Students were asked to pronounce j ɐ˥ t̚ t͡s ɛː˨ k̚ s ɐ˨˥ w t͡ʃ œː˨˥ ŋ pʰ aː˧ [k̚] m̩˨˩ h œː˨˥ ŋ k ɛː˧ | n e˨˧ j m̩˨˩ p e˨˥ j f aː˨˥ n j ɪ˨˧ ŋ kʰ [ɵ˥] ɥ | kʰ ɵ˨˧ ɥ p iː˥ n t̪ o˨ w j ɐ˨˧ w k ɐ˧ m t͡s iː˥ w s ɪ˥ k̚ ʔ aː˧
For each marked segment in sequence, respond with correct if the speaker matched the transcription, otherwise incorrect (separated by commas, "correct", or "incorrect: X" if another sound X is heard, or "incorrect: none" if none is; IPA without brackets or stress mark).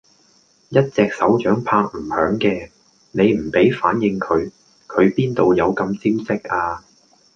correct, incorrect: ɵ˨˧